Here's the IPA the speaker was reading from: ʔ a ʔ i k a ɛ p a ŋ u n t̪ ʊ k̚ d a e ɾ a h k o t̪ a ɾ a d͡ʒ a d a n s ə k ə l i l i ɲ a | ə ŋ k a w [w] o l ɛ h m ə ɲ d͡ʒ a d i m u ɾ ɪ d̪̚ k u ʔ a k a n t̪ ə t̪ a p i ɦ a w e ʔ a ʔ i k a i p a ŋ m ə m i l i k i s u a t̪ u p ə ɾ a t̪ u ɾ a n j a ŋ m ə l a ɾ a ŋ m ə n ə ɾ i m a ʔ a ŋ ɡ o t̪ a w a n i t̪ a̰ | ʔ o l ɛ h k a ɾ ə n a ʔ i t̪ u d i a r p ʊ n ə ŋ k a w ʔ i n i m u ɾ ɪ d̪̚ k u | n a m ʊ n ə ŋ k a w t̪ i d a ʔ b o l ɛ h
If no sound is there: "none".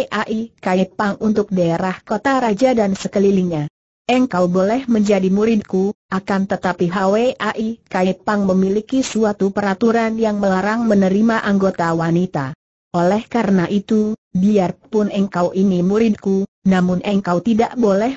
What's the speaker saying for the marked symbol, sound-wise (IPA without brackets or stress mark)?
b